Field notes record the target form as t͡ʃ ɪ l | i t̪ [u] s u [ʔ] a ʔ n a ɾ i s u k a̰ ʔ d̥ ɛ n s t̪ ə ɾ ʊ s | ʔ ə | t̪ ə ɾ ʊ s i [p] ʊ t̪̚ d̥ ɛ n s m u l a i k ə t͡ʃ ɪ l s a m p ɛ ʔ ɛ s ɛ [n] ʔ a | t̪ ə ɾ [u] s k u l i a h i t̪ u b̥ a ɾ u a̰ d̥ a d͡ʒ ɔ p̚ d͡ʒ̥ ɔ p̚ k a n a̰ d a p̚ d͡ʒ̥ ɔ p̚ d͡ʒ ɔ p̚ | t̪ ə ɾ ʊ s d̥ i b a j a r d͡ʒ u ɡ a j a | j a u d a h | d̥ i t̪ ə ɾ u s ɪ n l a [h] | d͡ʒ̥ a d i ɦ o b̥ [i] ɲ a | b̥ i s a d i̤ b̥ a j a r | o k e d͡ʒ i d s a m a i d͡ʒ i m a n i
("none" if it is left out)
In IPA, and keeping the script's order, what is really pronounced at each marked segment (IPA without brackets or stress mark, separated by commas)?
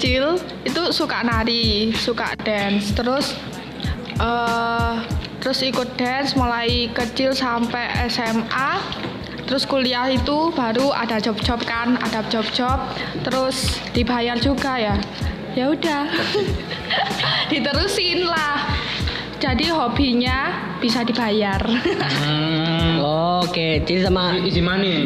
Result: u, k, k, m, ʊ, h, i